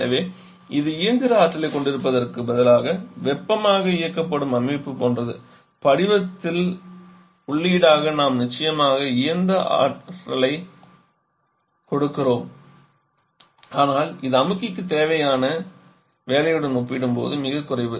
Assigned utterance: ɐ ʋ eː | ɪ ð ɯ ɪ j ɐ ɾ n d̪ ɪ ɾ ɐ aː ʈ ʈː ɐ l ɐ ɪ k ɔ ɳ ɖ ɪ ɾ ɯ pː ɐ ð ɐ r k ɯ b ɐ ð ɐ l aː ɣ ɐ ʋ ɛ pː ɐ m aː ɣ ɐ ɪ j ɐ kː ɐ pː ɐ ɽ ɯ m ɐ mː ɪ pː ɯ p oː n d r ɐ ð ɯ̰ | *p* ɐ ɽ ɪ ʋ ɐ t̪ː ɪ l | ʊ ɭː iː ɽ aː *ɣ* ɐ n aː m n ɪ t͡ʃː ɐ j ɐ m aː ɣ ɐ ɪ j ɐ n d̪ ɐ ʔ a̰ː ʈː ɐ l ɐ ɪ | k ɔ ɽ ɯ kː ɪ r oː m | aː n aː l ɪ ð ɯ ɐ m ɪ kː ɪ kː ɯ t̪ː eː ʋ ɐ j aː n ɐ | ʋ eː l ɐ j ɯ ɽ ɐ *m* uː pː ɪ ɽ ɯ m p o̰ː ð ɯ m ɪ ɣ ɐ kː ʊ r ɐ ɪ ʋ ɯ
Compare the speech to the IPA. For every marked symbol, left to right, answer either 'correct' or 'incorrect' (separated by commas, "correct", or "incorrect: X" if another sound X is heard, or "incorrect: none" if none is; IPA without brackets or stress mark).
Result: correct, correct, incorrect: n